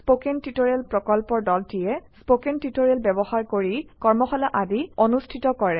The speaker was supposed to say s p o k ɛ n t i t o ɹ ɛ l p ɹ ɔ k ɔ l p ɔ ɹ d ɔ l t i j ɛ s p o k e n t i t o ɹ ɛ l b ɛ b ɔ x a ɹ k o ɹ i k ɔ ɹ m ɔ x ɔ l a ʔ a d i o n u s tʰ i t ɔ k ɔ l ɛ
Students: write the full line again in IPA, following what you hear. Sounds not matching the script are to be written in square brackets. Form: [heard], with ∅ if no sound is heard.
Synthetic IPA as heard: s p o k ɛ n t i t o ɹ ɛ l p ɹ ɔ k ɔ l p ɔ ɹ d ɔ l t i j ɛ s p o k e n t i t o ɹ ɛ l b ɛ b ɔ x a ɹ k o ɹ i k ɔ ɹ m ɔ x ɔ l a ʔ a d i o n u s tʰ i t ɔ k ɔ [ɹ] ɛ